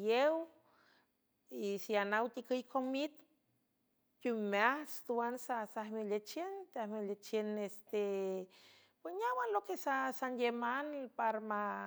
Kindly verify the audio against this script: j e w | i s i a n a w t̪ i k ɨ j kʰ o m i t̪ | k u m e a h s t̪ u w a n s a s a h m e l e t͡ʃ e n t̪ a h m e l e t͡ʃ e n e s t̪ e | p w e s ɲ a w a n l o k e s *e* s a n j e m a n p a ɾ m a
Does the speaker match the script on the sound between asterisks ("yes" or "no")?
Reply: no